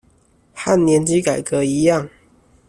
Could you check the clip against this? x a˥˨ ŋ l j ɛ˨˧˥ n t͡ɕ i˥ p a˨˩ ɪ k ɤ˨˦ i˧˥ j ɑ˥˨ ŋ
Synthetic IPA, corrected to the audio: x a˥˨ n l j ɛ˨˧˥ n t͡ɕ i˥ k a˨˩ ɪ k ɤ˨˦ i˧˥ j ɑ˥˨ ŋ